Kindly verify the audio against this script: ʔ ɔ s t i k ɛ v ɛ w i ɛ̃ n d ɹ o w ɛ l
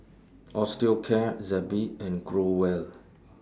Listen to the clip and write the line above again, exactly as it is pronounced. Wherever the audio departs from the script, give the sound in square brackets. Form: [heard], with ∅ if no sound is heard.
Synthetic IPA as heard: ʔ ɔ s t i [kʰ] ɛ [z] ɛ [b] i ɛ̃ n [ɡ] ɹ o w ɛ l